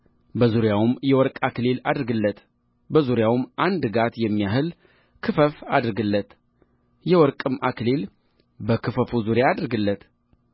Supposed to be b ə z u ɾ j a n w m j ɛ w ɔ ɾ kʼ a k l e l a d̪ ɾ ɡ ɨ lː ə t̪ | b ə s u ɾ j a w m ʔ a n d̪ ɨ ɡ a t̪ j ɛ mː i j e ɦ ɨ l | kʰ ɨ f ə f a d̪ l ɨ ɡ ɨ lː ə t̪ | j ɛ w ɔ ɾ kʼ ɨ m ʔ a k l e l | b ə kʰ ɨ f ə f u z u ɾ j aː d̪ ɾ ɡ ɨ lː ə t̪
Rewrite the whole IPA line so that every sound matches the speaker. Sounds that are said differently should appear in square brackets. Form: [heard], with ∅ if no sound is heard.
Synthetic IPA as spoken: b ə z u ɾ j a [∅] w m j ɛ w ɔ ɾ kʼ a k l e l a d̪ ɾ ɡ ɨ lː ə t̪ | b ə [z] u ɾ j a w m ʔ a n d̪ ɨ ɡ a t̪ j ɛ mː i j [a] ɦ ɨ l | kʰ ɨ f ə f a d̪ [ɾ] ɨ ɡ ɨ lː ə t̪ | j ɛ w ɔ ɾ kʼ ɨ m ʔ a k l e l | b ə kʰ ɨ f ə f u z u ɾ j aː d̪ ɾ ɡ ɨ lː ə t̪